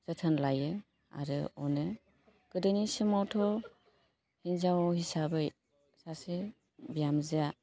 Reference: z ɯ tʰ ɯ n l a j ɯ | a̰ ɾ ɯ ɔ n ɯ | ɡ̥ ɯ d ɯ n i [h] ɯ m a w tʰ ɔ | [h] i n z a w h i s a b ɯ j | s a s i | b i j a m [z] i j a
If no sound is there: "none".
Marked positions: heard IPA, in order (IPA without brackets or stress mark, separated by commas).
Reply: s, h, z